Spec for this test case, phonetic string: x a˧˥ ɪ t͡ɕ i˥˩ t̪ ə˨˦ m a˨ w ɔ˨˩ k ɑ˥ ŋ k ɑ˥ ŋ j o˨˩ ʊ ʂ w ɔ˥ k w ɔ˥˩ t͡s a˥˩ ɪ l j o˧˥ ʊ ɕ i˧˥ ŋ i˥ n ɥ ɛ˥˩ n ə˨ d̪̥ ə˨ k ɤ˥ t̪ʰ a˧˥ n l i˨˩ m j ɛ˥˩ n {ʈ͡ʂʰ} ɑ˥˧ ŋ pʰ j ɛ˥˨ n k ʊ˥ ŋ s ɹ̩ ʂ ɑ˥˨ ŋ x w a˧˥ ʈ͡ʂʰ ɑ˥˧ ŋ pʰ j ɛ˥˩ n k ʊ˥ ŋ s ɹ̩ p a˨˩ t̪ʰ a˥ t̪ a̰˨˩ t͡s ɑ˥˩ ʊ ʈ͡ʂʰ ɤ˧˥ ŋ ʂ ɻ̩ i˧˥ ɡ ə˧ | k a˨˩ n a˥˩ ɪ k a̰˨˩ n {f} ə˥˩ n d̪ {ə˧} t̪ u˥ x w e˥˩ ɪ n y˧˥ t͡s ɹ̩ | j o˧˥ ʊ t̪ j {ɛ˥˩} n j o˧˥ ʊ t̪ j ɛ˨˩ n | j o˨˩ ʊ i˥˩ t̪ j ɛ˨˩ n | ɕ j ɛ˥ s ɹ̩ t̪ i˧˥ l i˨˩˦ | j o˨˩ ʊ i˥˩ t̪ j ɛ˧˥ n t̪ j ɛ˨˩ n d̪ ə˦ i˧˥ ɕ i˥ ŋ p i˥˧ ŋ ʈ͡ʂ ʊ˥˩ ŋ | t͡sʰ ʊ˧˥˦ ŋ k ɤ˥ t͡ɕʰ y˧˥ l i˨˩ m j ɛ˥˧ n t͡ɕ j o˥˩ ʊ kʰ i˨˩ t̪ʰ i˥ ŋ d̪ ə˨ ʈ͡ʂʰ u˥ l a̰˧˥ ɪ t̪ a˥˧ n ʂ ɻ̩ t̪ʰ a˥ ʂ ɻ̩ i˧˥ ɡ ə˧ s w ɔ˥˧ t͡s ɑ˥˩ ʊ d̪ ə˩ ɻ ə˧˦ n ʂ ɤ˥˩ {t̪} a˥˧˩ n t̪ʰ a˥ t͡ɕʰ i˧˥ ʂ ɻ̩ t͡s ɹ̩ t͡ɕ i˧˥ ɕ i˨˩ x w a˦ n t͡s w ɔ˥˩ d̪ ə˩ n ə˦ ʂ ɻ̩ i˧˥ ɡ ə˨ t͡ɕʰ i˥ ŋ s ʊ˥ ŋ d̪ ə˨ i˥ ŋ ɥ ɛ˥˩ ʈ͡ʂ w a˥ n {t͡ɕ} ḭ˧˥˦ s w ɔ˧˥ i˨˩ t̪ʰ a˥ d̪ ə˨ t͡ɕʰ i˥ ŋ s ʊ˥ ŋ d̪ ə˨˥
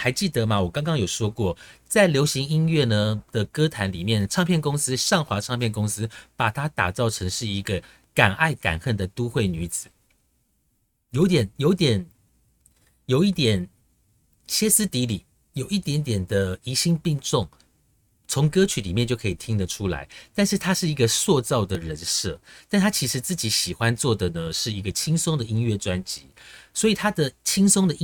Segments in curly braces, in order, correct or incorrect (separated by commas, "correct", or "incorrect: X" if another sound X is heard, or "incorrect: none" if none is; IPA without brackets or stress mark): correct, incorrect: x, incorrect: ə˩, incorrect: ɛ˨˩, correct, correct